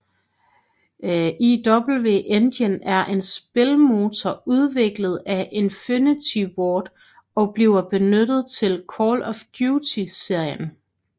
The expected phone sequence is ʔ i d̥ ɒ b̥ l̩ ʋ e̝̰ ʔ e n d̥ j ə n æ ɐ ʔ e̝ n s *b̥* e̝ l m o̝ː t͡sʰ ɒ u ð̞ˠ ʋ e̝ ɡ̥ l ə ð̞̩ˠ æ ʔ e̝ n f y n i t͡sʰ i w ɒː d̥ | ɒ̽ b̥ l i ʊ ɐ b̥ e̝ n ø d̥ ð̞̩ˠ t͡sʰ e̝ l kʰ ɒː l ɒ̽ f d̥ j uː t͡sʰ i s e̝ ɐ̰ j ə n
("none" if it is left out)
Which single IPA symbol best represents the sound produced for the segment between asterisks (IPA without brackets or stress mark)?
b̥